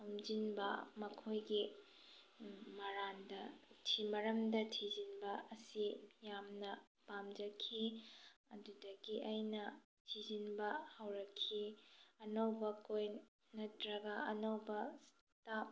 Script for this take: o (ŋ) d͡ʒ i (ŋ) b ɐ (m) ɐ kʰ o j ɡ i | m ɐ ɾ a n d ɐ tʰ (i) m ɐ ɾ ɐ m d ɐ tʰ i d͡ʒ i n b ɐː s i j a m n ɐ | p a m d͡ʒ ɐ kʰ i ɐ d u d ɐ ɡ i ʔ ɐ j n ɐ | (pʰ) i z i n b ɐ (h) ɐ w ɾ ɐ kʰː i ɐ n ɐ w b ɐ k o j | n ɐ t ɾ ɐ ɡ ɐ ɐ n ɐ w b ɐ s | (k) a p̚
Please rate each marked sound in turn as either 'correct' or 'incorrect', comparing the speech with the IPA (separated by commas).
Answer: incorrect, incorrect, correct, correct, incorrect, correct, incorrect